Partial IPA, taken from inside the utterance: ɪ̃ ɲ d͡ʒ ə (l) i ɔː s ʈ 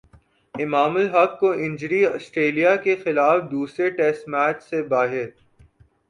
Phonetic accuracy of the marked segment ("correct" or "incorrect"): incorrect